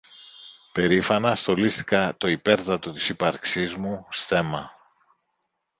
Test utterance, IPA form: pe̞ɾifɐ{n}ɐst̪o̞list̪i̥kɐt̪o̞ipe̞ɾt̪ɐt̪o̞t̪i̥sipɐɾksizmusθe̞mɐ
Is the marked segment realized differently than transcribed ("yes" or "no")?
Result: no